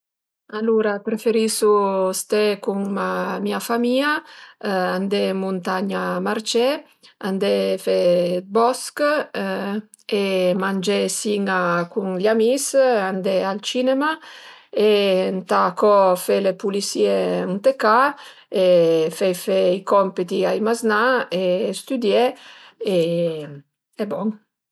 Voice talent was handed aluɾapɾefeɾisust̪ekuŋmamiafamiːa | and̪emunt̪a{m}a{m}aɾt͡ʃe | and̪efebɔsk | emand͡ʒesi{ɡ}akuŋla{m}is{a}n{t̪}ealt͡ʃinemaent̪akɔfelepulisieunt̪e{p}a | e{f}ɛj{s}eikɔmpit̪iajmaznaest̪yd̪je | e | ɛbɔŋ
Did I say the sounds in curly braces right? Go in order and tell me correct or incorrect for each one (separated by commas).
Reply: incorrect, correct, incorrect, correct, correct, incorrect, incorrect, correct, incorrect